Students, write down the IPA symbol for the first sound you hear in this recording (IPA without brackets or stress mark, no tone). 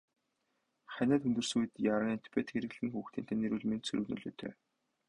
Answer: χ